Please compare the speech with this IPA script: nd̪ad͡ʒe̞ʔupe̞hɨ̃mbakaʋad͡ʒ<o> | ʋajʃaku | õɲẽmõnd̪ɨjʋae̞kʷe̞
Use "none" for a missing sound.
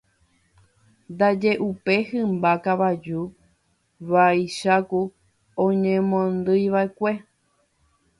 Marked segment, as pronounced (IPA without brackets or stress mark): u